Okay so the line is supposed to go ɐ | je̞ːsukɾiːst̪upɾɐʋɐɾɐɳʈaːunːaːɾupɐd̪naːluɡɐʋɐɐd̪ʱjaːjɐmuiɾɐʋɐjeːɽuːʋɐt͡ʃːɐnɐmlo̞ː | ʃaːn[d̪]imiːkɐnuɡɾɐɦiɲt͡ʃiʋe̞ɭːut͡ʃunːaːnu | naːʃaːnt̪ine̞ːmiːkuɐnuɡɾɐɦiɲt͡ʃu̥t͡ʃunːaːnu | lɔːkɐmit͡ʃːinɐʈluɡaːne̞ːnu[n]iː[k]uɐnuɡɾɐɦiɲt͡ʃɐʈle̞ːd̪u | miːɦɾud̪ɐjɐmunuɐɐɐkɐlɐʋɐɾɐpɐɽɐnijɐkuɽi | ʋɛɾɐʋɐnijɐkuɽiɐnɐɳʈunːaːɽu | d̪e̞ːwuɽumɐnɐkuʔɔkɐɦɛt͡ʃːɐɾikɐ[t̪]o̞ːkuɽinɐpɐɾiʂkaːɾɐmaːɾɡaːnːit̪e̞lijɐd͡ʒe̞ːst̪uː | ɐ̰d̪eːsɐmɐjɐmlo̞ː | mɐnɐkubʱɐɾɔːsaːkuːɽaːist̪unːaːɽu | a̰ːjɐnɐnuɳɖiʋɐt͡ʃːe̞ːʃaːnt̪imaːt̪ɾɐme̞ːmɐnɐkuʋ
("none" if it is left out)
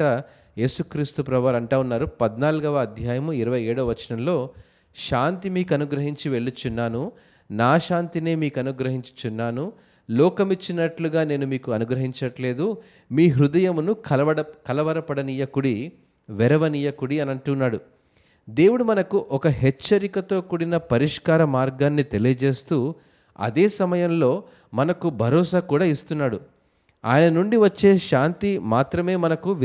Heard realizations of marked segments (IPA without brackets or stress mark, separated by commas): t̪, m, k, t̪